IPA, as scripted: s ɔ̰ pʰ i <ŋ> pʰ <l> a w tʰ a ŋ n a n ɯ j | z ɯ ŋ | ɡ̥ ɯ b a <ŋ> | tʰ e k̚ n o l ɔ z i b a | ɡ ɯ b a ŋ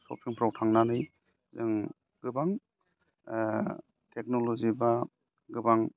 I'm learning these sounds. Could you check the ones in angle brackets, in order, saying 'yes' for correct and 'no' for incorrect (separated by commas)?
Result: yes, no, yes